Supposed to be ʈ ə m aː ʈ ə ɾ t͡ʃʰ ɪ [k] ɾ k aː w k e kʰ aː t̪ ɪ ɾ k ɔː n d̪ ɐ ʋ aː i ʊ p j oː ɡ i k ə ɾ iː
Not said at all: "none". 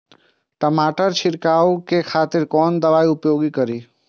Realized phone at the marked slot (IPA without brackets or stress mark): none